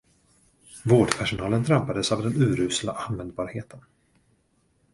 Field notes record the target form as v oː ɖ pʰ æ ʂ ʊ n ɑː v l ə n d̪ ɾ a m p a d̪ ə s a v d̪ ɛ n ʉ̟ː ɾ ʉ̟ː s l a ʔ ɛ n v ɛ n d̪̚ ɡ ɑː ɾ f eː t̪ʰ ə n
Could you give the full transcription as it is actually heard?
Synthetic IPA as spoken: v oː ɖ pʰ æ ʂ ʊ n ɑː l ə n d̪ ɾ a m p a d̪ ə s a v d̪ ɛ n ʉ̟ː ɾ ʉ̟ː s l a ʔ a n v ɛ n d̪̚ b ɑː ɾ h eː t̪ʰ ə n

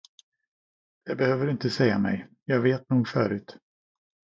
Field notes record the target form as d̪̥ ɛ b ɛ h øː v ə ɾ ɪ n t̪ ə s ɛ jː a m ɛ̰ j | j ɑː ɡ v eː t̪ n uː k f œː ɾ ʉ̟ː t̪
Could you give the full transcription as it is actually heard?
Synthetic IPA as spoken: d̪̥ ɛ b ɛ h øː v ə ɾ ɪ n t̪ ə s ɛ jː a m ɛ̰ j | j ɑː ɡ v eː t̪ n uː ɡ f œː ɾ ʉ̟ː t̪

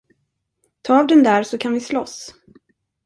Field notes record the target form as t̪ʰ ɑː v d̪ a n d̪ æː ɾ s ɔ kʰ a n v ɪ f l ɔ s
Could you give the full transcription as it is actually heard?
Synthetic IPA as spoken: t̪ʰ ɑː v d̪ ɛ n d̪ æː ɾ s ɔ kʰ a n v ɪ s l ɔ s

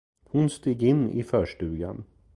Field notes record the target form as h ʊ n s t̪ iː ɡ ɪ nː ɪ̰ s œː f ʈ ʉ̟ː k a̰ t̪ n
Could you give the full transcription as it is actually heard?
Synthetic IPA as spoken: h ʊ n s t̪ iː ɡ ɪ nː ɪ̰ f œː ʂ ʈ ʉ̟ː ɡ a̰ n

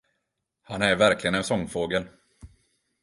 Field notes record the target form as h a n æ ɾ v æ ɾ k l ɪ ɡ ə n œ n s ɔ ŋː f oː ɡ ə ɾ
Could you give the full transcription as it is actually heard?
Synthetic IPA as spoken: h a n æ ɾ v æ ɾ k l ɪ ɡ ə n ɛ n s ɔ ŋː f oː ɡ ə l

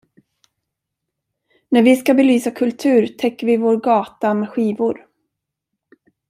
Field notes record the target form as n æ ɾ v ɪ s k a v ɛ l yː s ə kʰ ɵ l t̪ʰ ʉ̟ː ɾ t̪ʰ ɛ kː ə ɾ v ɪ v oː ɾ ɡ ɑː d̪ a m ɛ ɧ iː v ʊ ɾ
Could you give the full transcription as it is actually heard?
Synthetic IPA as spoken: n æ ɾ v ɪ s k a b ɛ l yː s a kʰ ɵ l t̪ʰ ʉ̟ː ɾ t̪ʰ ɛ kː ə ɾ v ɪ v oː ɾ ɡ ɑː t̪ a m ɛ ɧ iː v ʊ ɾ

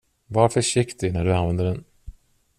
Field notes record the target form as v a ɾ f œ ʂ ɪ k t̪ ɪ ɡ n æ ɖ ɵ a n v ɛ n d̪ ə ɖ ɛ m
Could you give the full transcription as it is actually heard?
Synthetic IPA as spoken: v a ɾ f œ ʂ ɪ k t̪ ɪ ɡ n æ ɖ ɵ a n v ɛ n d̪ ə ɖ ɛ n

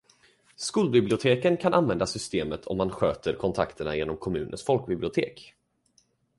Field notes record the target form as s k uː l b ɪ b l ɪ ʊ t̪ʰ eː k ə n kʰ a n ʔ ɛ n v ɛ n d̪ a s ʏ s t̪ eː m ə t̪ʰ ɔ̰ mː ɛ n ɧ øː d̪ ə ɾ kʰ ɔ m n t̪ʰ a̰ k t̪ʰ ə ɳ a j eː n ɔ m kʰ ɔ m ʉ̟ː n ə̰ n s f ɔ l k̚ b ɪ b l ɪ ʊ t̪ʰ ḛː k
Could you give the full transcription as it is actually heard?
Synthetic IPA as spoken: s k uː l b ɪ b l ɪ ʊ t̪ʰ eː k ə n kʰ a n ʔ a n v ɛ n d̪ a s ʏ s t̪ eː m ə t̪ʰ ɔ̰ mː a n ɧ øː t̪ ə ɾ kʰ ɔ n t̪ʰ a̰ k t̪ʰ ə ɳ a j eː n ɔ m kʰ ɔ m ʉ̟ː n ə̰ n s f ɔ l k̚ b ɪ b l ɪ ʊ t̪ʰ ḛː k

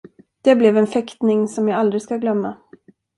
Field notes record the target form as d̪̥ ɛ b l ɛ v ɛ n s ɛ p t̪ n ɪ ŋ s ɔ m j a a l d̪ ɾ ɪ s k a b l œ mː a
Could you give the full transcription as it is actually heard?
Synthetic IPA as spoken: d̪̥ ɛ b l ɛ v ɛ n f ɛ k t̪ n ɪ ŋ s ɔ m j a a l d̪ ɾ ɪ s k a ɡ l œ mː a

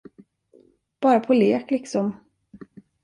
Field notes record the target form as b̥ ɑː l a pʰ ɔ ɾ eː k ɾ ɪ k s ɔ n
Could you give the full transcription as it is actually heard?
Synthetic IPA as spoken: b̥ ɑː ɾ a pʰ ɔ l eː k l ɪ k s ɔ m

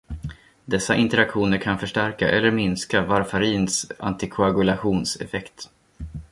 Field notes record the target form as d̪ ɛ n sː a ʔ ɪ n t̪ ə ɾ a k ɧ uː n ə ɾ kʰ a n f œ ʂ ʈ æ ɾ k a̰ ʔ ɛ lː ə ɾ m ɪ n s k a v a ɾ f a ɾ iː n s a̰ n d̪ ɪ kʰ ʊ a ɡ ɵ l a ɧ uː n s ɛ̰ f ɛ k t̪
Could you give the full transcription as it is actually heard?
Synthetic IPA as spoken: d̪ ɛ sː a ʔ ɪ n t̪ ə ɾ a k ɧ uː n ə ɾ kʰ a n f œ ʂ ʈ æ ɾ k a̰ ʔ ɛ lː ə ɾ m ɪ n s k a v a ɾ f a ɾ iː n s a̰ n t̪ ɪ kʰ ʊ a ɡ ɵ l a ɧ uː n s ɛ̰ f ɛ k t̪

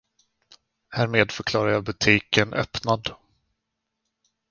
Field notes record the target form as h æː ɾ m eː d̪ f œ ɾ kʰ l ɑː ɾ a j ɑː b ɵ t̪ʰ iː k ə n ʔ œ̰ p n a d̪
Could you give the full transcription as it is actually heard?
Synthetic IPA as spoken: h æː ɾ m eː d̪ f œ ɾ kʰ l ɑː ɾ a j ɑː b ɵ t̪ʰ iː k ə n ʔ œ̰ p n a d̪

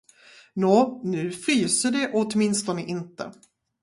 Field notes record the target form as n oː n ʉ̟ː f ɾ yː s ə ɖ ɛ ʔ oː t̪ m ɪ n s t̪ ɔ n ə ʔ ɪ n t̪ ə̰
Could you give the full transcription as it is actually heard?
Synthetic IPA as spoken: n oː n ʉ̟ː f ɾ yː s ə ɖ ɛ ʔ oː t̪ m ɪ n s t̪ ɔ n ə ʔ ɪ n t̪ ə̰

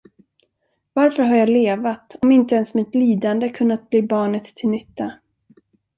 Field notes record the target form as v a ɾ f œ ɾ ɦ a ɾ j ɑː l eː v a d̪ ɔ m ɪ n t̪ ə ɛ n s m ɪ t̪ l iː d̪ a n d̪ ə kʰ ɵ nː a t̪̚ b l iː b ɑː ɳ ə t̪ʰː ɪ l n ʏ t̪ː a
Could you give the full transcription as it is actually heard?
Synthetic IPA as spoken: v a ɾ f œ ɾ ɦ a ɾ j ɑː l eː v a t̪ ɔ m ɪ n t̪ ə ɛ n s m ɪ t̪ l iː d̪ a n d̪ ə kʰ ɵ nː a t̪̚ b l iː b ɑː ɳ ə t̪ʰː ɪ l n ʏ t̪ː a

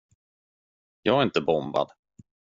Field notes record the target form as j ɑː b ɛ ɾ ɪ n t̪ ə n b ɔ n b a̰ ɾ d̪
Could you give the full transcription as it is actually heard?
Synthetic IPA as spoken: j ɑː ɡ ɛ ɾ ɪ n t̪ ə b ɔ m b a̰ d̪

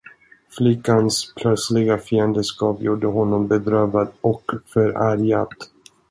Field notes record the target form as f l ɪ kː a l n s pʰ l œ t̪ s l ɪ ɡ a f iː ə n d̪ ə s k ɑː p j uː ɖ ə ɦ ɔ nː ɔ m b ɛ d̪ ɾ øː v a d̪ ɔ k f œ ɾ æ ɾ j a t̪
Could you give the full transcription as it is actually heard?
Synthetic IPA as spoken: f l ɪ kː a n s pʰ l œ t̪ s l ɪ ɡ a f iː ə n d̪ ə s k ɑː p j uː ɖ ə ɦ ɔ nː ɔ m b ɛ d̪ ɾ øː v a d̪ ɔ k f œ ɾ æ ɾ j a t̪

